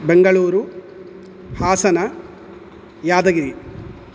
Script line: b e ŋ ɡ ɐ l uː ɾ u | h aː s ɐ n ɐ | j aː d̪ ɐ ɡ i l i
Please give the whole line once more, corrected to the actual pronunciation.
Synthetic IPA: b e ŋ ɡ ɐ ɭ uː ɾ u | h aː s ɐ n ɐ | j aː d̪ ɐ ɡ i ɾ i